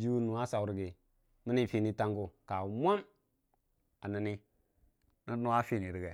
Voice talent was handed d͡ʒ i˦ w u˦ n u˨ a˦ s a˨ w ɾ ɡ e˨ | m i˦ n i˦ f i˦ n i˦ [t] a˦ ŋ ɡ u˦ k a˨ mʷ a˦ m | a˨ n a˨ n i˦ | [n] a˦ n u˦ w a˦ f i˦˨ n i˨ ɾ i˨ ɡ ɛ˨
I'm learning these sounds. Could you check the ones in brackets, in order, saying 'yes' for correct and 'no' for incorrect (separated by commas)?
yes, yes